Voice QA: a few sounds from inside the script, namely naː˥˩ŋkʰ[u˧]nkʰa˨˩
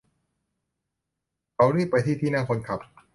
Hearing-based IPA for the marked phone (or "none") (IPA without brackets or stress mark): o˧